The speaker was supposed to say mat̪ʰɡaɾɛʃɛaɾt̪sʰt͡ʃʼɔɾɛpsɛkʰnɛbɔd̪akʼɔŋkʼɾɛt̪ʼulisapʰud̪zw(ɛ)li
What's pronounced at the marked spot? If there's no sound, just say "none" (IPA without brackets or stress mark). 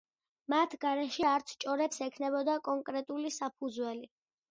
ɛ